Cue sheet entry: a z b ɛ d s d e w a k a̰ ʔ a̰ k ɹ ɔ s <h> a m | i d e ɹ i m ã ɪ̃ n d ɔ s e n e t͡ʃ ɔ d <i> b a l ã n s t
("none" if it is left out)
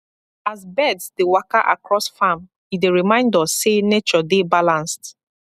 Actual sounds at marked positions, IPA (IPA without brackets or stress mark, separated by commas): f, e